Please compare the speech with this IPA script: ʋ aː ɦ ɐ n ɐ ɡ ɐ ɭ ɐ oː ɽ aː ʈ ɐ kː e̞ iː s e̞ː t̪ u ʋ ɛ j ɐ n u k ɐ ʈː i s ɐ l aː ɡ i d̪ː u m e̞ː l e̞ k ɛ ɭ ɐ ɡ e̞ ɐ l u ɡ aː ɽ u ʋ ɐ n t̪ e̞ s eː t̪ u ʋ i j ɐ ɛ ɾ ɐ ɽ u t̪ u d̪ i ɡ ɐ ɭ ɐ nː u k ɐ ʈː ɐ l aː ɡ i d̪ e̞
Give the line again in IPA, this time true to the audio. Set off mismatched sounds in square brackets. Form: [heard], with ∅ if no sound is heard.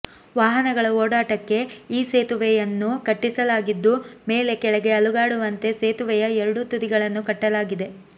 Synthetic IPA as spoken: ʋ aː ɦ ɐ n ɐ ɡ ɐ ɭ ɐ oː ɽ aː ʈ ɐ kː e̞ iː s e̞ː t̪ u ʋ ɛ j ɐ [nː] u k ɐ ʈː i s ɐ l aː ɡ i d̪ː u m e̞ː l e̞ k ɛ ɭ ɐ ɡ e̞ ɐ l u ɡ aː ɽ u ʋ ɐ n t̪ e̞ s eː t̪ u ʋ [ɛ] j ɐ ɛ ɾ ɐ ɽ u t̪ u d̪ i ɡ ɐ ɭ ɐ nː u k ɐ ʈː ɐ l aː ɡ i d̪ e̞